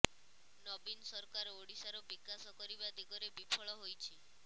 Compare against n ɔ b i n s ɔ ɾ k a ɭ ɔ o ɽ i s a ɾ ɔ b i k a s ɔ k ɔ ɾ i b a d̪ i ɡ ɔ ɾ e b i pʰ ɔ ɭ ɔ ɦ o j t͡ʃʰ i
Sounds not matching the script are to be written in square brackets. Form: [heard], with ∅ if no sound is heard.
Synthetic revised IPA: n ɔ b i n s ɔ ɾ k a [ɾ] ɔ o ɽ i s a ɾ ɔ b i k a s ɔ k ɔ ɾ i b a d̪ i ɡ ɔ ɾ e b i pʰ ɔ ɭ ɔ ɦ o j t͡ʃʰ i